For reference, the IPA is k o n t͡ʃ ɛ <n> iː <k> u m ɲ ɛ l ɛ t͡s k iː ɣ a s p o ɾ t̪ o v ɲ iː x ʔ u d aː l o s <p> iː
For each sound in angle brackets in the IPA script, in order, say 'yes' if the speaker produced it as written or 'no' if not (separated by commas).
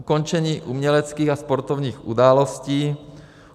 no, no, no